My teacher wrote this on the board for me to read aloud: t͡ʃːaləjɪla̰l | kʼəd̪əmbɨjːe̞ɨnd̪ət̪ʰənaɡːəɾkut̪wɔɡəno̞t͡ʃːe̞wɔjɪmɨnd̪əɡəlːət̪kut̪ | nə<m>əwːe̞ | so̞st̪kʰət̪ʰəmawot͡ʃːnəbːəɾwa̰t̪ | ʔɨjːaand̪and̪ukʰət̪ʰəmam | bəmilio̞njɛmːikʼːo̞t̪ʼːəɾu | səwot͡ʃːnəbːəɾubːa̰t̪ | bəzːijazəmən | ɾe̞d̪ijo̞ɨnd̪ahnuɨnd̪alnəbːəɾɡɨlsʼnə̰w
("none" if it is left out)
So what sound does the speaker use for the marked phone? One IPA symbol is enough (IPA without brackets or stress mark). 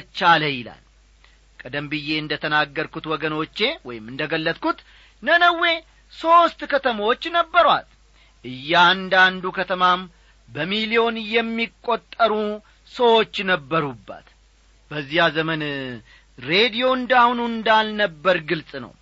n